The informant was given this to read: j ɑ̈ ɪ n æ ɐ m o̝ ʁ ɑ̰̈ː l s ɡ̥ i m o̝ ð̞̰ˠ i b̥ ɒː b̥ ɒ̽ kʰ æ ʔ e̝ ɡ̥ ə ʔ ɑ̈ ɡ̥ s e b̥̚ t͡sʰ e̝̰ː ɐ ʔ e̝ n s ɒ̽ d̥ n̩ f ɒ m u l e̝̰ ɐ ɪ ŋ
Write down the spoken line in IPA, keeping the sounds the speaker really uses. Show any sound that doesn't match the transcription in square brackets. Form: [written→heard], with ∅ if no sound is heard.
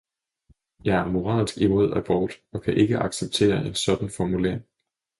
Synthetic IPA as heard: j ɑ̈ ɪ [n→∅] æ ɐ m o̝ ʁ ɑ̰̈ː l s ɡ̥ i m o̝ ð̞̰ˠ [i→æ] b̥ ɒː [b̥→d̥] ɒ̽ kʰ æ ʔ e̝ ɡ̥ ə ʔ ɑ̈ ɡ̥ s e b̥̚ t͡sʰ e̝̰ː ɐ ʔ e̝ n s ɒ̽ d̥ n̩ f ɒ m u l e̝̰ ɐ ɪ ŋ